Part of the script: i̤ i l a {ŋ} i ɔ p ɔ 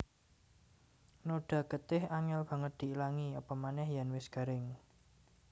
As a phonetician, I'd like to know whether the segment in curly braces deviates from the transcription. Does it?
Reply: no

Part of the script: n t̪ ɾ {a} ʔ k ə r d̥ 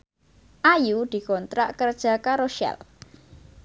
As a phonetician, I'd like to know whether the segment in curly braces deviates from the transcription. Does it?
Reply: no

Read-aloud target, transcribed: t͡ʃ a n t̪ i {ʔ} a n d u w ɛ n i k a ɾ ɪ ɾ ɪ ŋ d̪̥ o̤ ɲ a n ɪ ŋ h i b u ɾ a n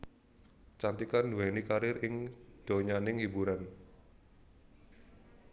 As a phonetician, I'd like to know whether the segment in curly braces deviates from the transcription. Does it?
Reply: yes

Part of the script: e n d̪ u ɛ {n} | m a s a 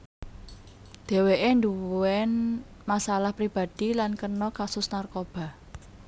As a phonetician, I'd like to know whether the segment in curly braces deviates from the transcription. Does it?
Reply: no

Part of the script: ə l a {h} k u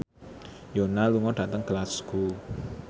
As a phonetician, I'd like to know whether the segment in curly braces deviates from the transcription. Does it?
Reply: yes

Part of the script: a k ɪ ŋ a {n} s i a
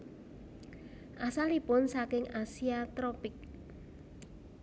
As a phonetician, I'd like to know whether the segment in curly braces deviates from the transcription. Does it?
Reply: yes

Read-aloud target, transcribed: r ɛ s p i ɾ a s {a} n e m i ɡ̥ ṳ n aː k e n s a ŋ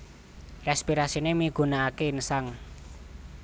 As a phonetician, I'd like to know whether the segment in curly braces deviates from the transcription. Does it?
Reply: yes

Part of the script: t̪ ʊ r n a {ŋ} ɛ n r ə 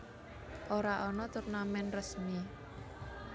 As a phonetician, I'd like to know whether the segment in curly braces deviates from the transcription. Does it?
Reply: yes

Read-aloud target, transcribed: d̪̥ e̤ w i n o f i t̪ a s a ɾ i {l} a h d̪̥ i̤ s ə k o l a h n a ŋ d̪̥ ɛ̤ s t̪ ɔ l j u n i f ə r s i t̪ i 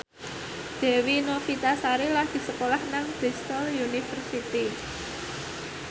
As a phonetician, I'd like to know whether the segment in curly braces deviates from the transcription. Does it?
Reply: no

